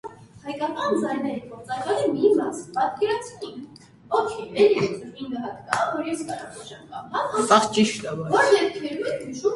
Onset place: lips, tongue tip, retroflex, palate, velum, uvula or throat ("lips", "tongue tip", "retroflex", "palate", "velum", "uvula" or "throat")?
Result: throat